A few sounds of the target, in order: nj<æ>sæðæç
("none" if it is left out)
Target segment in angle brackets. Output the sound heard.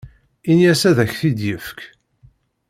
æ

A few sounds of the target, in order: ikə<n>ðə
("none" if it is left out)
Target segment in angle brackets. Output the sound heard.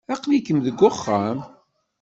m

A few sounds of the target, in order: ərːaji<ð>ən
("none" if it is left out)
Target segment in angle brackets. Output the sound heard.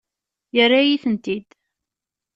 θ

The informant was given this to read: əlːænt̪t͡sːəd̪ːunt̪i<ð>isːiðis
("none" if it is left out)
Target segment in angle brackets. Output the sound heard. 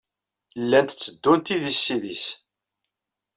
ð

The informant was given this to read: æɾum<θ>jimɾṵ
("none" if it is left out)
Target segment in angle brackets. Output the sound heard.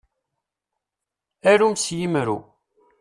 s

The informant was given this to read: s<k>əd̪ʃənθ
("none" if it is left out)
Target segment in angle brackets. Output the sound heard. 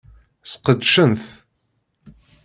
q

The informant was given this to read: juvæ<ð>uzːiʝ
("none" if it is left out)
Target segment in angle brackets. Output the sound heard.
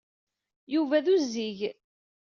ð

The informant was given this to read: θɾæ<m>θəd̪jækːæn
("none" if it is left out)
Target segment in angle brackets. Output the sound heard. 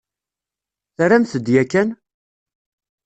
m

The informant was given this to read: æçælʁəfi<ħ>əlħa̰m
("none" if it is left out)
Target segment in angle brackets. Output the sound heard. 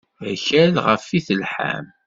θ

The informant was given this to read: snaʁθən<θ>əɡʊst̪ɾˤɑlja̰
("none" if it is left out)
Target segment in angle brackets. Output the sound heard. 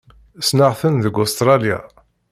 ð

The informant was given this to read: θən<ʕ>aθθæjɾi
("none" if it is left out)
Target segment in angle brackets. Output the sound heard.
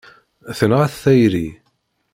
ʁ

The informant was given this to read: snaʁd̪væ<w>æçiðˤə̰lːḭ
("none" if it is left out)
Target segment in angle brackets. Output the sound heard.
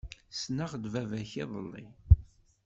v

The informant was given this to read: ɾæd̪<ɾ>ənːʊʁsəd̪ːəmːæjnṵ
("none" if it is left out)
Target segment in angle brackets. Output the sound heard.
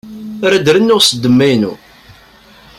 ɾ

